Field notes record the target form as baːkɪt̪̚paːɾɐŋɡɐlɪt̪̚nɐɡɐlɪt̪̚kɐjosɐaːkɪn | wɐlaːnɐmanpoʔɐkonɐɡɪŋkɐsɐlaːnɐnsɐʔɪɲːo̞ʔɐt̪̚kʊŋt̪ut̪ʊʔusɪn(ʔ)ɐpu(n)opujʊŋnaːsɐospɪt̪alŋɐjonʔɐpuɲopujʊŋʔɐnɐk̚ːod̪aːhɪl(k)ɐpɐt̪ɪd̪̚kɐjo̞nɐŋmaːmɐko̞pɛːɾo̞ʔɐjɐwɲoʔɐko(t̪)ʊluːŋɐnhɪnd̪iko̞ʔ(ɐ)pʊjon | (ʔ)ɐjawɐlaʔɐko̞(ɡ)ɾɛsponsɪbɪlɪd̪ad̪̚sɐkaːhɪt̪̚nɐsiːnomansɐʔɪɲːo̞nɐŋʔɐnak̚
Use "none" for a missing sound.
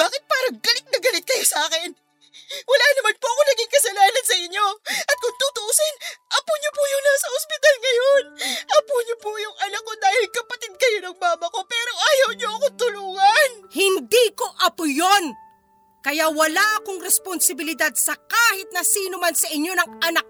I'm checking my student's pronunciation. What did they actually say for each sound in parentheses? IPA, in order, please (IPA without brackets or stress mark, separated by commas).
ʔ, ɲ, k, t̪, ɐ, k, ŋ